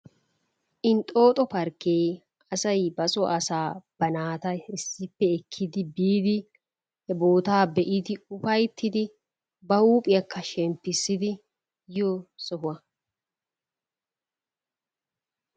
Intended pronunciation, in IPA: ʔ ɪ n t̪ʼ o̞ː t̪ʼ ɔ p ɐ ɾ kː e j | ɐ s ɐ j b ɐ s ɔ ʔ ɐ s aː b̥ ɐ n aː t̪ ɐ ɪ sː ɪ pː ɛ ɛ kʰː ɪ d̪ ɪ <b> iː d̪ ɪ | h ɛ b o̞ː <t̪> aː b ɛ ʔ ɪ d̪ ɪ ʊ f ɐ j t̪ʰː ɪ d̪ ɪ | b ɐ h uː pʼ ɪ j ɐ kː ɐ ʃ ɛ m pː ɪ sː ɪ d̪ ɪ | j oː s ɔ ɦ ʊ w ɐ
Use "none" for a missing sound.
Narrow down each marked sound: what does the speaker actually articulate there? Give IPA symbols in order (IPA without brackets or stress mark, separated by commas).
b, t̪